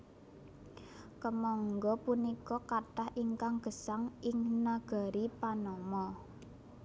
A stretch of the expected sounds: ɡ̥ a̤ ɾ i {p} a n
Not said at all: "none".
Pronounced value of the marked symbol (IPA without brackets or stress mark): p